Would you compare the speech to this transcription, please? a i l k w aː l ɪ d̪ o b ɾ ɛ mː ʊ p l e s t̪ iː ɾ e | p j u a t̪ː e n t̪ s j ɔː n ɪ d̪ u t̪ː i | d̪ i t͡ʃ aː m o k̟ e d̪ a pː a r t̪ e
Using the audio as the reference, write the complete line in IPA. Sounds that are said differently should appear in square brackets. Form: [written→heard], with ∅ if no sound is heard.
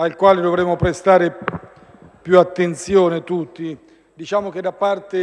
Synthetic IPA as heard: a i l k w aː l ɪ d̪ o [b→v] ɾ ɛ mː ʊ p [l→ɾ] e s t̪ [iː→aː] ɾ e | p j u a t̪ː e n t̪ s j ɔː n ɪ [d̪→t̪] u t̪ː i | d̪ i t͡ʃ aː m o k̟ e d̪ a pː a r t̪ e